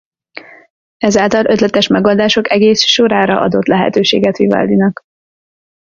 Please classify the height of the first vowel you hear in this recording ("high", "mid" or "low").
mid